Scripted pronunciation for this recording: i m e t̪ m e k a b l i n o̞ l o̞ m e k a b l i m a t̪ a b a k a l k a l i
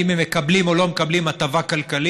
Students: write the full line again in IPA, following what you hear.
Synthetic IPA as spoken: i m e m e k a b l i m o̞ l o̞ m e k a b l i m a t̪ a v a k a l k a l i